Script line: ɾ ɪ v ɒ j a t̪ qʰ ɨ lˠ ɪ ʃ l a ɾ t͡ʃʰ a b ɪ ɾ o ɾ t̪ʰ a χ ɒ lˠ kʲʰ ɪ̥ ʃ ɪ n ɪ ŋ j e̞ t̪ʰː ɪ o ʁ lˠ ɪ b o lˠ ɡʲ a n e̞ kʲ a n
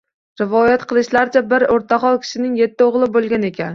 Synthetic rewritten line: ɾ ɪ v ɒ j a t̪ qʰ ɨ lˠ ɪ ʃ l a ɾ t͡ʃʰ a b ɪ ɾ o ɾ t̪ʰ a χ ɒ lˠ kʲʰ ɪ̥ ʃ ɪ n ɪ ŋ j e̞ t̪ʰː ɪ o ʁ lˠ ɪ b o lˠ ɡʲ a n e̞ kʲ a n